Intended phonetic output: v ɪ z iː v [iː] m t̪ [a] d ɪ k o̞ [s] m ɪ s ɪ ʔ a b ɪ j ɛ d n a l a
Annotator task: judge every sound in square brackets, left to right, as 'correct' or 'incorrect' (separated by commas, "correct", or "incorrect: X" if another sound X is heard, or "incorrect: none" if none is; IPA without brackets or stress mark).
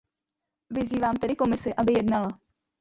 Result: incorrect: aː, incorrect: ɛ, incorrect: none